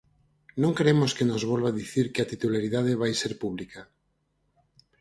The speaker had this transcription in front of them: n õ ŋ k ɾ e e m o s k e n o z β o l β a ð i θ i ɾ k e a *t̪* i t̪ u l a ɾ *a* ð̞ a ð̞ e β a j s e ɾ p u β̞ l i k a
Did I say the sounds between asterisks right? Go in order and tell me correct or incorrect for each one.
correct, incorrect: i

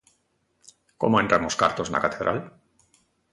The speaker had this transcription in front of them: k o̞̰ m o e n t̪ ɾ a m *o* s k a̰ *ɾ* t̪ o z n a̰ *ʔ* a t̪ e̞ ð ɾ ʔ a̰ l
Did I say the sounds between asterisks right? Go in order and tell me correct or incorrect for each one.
correct, correct, incorrect: k

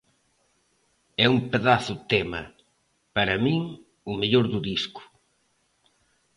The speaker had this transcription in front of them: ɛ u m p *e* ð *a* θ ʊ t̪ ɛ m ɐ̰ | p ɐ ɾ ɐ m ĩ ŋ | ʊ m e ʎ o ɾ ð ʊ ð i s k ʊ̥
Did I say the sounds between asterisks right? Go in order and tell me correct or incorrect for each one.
correct, correct

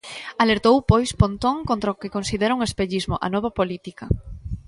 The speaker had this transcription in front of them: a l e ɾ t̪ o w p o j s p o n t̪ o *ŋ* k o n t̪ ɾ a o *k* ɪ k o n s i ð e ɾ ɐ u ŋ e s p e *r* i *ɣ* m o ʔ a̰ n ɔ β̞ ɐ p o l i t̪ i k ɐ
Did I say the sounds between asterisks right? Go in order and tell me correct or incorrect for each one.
correct, correct, incorrect: ʎ, incorrect: z

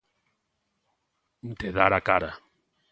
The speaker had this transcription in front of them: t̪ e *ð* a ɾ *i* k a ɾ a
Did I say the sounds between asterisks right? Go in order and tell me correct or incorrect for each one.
correct, incorrect: a

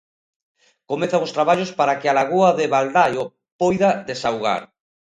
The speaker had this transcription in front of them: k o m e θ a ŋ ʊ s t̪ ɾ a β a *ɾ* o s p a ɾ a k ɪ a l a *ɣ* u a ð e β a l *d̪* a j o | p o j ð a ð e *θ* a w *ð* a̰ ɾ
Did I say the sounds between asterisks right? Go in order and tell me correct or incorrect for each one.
incorrect: ʎ, correct, correct, incorrect: s, incorrect: ɣ

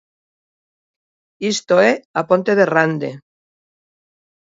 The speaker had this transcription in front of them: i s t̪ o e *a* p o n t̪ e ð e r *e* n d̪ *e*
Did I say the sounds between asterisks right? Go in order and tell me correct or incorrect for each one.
correct, incorrect: a, correct

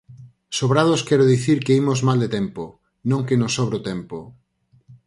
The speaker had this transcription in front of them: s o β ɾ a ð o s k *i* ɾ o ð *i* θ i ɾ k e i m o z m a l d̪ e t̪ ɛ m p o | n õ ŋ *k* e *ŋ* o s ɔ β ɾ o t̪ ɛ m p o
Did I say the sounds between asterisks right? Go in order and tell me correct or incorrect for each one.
incorrect: ɛ, correct, correct, incorrect: n

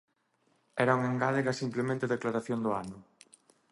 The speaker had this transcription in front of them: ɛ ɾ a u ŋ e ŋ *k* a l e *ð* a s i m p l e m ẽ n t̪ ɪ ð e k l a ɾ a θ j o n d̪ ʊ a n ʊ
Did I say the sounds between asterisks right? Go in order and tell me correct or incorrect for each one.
incorrect: ɡ, incorrect: ɣ

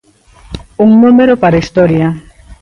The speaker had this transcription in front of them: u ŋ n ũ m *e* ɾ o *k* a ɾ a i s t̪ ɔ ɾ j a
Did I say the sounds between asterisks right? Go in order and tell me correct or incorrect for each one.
correct, incorrect: p

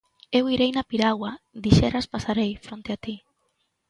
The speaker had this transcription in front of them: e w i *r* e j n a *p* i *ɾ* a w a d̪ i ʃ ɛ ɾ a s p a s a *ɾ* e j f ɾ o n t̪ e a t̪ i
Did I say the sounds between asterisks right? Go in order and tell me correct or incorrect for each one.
incorrect: ɾ, correct, correct, correct

